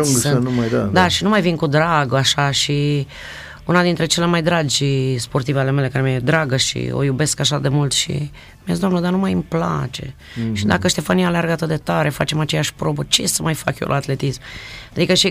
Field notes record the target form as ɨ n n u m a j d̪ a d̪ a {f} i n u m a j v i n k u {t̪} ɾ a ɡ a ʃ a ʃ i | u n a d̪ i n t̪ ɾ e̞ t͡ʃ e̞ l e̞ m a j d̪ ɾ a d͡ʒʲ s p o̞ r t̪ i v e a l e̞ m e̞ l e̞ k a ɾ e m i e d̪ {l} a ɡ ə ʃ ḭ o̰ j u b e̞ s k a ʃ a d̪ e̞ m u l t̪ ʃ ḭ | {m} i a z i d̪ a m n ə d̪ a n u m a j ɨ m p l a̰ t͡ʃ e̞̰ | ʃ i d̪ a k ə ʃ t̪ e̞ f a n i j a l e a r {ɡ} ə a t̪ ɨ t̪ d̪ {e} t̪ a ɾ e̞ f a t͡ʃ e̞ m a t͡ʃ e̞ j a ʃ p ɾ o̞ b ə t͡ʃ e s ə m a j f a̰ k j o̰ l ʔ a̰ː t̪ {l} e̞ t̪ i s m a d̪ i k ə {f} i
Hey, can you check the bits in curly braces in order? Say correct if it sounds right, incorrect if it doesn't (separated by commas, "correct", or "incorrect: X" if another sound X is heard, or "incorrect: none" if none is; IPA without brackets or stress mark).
incorrect: ʃ, incorrect: d̪, incorrect: ɾ, correct, correct, correct, correct, incorrect: ʃ